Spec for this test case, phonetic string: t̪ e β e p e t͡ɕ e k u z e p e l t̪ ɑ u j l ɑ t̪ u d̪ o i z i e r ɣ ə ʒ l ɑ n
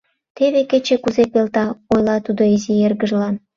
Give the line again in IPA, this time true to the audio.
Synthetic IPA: t̪ e β e k e t͡ɕ e k u z e p e l t̪ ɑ o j l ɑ t̪ u d̪ o i z i e r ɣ ə ʒ l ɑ n